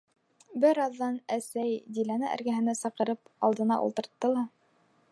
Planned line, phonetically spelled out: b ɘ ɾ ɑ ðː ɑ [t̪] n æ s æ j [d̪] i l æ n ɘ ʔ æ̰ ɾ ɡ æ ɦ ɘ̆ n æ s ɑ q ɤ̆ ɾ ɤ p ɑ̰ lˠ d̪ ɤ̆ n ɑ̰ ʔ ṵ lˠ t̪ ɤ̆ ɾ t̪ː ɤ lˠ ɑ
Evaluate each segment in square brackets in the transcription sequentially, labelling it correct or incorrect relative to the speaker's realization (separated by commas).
incorrect, correct